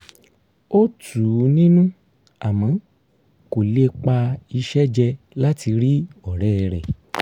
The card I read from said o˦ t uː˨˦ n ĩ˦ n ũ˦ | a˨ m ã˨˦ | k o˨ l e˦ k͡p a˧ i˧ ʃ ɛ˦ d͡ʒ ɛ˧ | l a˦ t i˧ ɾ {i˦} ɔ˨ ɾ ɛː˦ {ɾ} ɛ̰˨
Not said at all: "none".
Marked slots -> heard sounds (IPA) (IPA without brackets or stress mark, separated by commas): i˦, ɾ